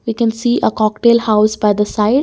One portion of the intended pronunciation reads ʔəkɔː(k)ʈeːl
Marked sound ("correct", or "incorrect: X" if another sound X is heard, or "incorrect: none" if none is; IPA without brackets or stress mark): correct